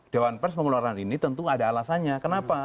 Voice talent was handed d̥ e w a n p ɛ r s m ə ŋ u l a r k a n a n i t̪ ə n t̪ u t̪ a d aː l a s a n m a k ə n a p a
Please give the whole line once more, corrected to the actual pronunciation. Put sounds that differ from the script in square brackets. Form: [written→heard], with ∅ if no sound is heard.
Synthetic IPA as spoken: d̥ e w a n p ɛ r s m ə ŋ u l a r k a n [a→i] n i t̪ ə n t̪ u [t̪→∅] a d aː l a s a n [m→ɲ] a k ə n a p a